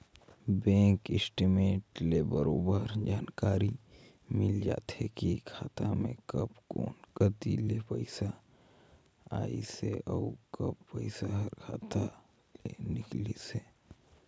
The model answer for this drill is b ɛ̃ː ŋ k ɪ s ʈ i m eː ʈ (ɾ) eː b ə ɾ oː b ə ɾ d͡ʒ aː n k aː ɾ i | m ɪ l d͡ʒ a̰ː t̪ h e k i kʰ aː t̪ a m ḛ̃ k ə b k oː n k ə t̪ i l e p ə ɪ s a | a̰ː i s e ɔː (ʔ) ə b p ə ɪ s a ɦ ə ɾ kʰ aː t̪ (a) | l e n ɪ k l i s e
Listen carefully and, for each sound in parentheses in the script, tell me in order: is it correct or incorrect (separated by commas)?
incorrect, incorrect, correct